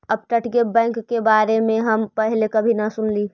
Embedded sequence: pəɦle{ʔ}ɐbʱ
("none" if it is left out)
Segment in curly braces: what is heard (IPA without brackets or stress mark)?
k